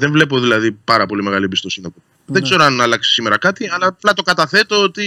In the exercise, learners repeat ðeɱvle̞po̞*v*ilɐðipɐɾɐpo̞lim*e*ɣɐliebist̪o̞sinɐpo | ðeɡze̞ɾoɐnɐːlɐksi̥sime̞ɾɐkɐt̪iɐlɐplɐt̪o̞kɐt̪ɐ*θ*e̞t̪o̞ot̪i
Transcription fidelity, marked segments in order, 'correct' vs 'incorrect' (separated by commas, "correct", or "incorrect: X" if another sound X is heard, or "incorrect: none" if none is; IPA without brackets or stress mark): incorrect: ð, correct, correct